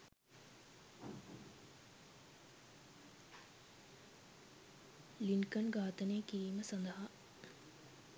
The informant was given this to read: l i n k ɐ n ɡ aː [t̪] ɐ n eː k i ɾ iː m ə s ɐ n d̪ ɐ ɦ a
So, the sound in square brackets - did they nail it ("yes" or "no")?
yes